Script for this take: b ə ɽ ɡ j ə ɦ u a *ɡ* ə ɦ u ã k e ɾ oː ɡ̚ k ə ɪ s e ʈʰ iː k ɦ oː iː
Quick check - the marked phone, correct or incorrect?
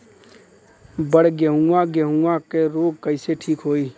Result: correct